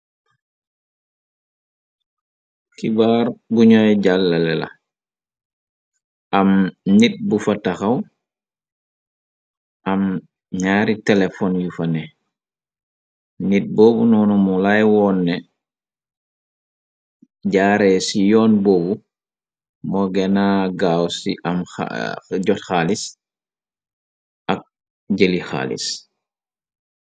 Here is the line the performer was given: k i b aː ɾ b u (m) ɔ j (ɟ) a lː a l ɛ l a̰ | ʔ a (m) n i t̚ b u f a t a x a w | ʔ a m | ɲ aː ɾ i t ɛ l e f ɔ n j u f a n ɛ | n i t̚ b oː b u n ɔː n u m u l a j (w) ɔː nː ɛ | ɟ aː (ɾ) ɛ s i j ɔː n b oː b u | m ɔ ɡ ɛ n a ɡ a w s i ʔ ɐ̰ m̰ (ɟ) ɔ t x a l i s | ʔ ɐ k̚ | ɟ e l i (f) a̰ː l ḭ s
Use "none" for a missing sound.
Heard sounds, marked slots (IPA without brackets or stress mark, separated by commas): ɲ, ɟ, m, w, ɾ, ɟ, x